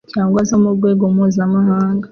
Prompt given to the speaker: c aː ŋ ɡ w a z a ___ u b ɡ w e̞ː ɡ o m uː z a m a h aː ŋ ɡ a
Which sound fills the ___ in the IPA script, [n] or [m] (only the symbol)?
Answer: m